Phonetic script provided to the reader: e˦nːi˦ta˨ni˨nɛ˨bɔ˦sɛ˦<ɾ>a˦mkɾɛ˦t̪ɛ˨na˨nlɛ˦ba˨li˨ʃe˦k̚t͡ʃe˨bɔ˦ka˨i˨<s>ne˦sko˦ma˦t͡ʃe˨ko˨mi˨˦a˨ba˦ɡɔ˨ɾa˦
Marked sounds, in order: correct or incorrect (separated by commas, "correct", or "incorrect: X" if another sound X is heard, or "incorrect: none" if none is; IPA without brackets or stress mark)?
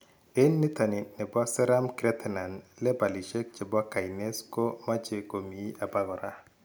correct, incorrect: none